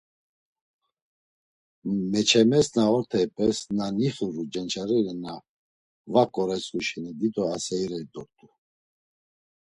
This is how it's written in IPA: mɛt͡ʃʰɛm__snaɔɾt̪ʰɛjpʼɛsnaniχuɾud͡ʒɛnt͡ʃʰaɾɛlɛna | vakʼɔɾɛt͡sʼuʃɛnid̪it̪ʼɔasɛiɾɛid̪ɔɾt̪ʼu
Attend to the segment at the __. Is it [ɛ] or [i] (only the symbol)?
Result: ɛ